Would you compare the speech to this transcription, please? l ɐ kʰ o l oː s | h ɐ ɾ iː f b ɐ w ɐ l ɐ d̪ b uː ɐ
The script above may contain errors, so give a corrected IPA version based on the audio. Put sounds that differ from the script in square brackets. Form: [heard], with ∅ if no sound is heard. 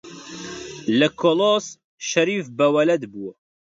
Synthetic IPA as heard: l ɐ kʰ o l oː s | [ʃ] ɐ ɾ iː f b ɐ w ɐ l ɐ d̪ b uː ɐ